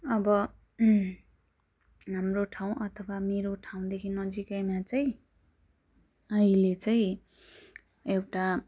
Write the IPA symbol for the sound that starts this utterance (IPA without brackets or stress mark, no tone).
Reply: ʌ